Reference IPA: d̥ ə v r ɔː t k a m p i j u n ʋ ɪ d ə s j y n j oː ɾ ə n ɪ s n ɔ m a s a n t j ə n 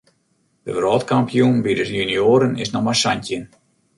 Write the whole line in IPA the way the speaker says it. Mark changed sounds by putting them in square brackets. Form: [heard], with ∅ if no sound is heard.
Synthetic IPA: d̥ ə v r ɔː t k a m p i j u n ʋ [i] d ə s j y n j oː ɾ ə n ɪ s n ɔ m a s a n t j ə n